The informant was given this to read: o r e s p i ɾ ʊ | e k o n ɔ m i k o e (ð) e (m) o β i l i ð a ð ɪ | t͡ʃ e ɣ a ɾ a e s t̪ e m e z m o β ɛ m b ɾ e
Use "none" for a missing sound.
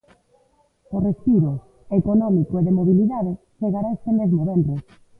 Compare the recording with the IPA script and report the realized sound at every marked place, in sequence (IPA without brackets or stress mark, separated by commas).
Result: ð, m